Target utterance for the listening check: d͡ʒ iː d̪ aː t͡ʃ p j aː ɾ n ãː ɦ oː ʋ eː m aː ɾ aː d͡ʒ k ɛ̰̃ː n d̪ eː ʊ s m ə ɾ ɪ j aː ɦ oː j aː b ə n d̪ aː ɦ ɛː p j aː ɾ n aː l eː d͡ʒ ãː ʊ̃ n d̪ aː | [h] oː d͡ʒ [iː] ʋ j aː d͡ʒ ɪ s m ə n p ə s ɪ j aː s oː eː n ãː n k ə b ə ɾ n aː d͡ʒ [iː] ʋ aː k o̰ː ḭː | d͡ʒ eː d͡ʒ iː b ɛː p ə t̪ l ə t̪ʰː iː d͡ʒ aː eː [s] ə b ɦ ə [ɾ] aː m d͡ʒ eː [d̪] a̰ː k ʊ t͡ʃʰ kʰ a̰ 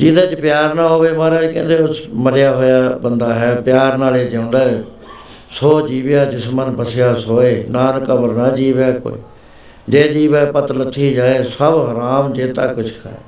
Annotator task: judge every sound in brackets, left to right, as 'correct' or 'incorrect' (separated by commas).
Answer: incorrect, correct, correct, correct, correct, incorrect